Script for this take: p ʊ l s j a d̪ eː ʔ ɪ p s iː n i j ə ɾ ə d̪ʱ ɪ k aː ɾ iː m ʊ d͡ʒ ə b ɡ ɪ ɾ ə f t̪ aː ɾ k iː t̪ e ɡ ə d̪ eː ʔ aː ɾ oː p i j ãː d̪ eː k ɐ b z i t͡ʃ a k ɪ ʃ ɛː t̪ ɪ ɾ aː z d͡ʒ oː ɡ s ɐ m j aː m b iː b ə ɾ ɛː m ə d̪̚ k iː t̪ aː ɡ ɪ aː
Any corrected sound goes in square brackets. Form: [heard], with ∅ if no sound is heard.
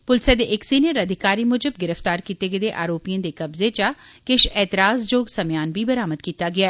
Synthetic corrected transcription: p ʊ l s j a d̪ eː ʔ ɪ [k] s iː n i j ə ɾ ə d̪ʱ ɪ k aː ɾ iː m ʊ d͡ʒ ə b ɡ ɪ ɾ ə f t̪ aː ɾ k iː t̪ e ɡ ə d̪ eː ʔ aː ɾ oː p i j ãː d̪ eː k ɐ b z [e] t͡ʃ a k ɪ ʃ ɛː t̪ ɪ ɾ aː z d͡ʒ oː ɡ s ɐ m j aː [n] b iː b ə ɾ [aː] m ə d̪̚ k iː t̪ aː ɡ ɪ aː

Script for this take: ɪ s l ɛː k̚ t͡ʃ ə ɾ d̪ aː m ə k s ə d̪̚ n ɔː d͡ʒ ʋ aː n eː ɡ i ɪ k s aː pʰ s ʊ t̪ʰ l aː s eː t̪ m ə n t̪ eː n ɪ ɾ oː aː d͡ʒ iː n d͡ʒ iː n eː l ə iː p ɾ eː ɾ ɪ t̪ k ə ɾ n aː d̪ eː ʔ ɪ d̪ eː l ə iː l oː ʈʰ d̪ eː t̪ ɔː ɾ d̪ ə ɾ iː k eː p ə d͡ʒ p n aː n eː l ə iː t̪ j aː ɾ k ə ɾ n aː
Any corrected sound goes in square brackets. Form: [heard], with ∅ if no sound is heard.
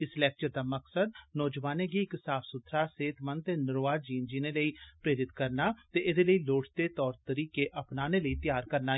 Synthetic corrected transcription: ɪ s l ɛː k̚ t͡ʃ ə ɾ d̪ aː m ə k s ə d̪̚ n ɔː d͡ʒ ʋ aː n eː ɡ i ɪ k s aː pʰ s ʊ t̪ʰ [ɾ] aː s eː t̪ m ə n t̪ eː n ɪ ɾ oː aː d͡ʒ iː n d͡ʒ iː n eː l ə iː p ɾ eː ɾ ɪ t̪ k ə ɾ n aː [t̪] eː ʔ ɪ d̪ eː l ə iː l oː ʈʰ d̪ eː t̪ ɔː ɾ [t̪] ə ɾ iː k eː [ʔ] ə [∅] p n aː n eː l ə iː t̪ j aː ɾ k ə ɾ n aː

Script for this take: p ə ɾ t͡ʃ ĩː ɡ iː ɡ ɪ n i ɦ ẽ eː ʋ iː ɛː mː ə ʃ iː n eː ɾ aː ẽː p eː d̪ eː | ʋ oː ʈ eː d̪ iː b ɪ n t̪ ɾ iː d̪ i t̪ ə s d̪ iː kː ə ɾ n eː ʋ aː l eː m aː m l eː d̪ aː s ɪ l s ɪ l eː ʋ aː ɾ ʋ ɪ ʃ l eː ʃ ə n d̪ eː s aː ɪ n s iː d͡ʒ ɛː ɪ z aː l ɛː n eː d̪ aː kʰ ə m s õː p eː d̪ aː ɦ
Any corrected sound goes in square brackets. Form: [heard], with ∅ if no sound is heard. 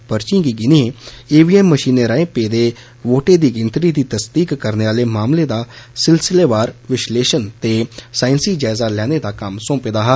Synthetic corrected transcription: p ə ɾ t͡ʃ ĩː ɡ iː ɡ ɪ n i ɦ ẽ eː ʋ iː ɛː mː ə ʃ iː n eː ɾ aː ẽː p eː d̪ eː | ʋ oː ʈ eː d̪ iː [ɡ] ɪ n t̪ ɾ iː d̪ [iː] t̪ ə s d̪ iː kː ə ɾ n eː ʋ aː l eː m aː m l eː d̪ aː s ɪ l s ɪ l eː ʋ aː ɾ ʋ ɪ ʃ l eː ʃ ə n [t̪] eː s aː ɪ n s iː d͡ʒ [aː] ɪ z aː l ɛː n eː d̪ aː [k] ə m s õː p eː d̪ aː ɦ

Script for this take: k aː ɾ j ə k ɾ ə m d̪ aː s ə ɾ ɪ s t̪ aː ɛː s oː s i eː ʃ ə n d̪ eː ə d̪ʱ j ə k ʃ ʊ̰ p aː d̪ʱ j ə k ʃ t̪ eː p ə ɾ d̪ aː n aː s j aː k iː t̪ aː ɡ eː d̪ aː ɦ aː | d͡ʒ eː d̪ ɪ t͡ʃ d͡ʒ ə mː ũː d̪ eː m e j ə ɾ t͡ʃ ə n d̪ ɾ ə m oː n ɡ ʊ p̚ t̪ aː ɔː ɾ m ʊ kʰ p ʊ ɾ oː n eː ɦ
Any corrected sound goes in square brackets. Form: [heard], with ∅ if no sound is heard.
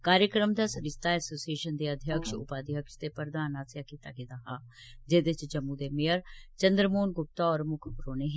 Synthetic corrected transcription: k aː ɾ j ə k ɾ ə m d̪ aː s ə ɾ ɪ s t̪ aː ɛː s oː s i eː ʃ ə n d̪ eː ə d̪ʱ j ə k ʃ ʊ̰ p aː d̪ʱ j ə k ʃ t̪ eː p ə ɾ d̪ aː n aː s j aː k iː t̪ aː ɡ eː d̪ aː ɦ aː | d͡ʒ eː d̪ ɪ t͡ʃ d͡ʒ ə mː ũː d̪ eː m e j ə ɾ t͡ʃ ə n d̪ ɾ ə m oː n ɡ ʊ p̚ t̪ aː ɔː ɾ m ʊ kʰ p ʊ ɾ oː n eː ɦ

